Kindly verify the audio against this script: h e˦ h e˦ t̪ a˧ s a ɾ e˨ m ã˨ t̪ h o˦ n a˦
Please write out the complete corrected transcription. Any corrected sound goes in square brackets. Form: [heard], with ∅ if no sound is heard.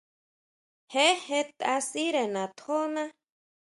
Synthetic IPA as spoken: h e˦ h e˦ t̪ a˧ s [i] ɾ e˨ [n] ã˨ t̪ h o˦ n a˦